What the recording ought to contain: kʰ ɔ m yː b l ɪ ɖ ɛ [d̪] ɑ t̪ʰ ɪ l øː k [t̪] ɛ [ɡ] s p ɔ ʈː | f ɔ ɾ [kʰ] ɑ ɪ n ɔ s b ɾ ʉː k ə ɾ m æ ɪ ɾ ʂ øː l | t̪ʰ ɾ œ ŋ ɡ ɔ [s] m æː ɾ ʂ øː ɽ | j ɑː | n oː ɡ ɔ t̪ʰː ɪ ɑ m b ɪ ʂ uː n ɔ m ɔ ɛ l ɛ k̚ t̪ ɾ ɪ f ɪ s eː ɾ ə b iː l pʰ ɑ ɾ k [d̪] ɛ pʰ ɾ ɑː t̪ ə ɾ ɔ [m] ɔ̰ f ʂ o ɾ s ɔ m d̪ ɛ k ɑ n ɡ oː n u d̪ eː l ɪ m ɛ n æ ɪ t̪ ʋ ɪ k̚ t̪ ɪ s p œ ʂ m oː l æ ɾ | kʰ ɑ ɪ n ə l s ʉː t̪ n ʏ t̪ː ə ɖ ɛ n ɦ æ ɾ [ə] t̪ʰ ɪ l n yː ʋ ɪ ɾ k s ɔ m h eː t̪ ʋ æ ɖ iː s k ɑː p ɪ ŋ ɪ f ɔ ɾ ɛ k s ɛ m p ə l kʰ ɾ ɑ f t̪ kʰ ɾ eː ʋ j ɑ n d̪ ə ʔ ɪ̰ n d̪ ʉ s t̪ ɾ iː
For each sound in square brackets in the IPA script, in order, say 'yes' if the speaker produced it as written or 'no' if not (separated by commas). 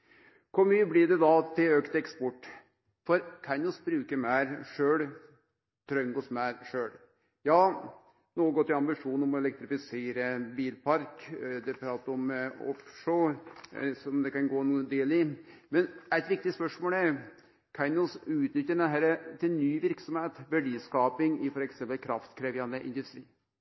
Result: yes, yes, no, yes, yes, yes, yes, yes